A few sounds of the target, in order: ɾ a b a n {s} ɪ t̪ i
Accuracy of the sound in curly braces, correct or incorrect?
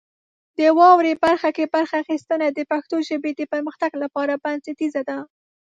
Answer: correct